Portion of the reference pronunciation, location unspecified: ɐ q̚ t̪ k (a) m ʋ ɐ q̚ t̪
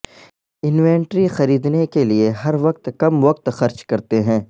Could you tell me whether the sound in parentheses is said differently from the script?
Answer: yes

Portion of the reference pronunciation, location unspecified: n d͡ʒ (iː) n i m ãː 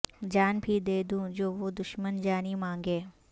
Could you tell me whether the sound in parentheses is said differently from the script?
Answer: yes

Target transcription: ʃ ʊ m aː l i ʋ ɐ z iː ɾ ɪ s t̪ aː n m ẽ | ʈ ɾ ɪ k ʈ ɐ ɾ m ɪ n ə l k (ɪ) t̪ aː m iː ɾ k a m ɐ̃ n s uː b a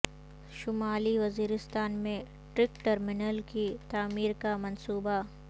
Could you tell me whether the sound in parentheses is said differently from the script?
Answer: yes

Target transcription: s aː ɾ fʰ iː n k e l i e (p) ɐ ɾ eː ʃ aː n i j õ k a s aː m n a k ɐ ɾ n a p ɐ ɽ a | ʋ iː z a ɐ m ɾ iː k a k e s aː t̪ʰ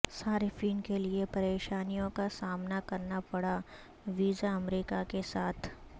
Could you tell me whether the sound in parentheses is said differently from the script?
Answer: no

